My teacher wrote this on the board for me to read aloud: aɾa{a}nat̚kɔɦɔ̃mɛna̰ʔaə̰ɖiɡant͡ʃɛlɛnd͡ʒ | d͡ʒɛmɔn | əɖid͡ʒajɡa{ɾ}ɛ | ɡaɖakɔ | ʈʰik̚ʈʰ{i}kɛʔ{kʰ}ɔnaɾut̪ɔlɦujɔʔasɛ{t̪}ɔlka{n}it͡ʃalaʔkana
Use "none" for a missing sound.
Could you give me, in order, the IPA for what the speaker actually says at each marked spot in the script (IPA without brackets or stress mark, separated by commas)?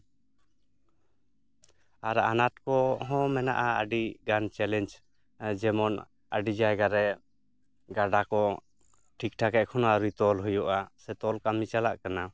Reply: a, ɾ, a, kʰ, t̪, m